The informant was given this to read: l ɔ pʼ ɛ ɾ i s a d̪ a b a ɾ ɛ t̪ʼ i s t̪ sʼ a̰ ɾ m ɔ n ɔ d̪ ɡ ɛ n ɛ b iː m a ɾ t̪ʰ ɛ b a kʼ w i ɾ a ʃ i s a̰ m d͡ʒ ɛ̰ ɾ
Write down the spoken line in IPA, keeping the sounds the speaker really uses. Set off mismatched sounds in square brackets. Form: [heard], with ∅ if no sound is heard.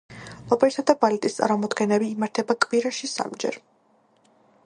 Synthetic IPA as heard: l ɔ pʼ ɛ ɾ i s a d̪ a b a [l] ɛ t̪ʼ i s t̪ sʼ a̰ ɾ m ɔ [m] ɔ d̪ ɡ ɛ n ɛ b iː m a ɾ t̪ʰ ɛ b a kʼ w i ɾ a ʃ i s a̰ m d͡ʒ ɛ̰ ɾ